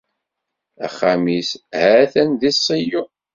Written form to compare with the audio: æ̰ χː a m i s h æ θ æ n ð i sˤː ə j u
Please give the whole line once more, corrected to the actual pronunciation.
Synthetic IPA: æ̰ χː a m i s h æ θ æ n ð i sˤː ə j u